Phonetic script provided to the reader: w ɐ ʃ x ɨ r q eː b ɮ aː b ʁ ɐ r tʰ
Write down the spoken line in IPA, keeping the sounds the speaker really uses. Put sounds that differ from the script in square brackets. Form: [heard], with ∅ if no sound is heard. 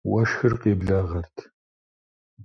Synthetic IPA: w ɐ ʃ x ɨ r q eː b ɮ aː [∅] ʁ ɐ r tʰ